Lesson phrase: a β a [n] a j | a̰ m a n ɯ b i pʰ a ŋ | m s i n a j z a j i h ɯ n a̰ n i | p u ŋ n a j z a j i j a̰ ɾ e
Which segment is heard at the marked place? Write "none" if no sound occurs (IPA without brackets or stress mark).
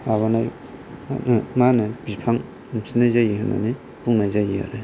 n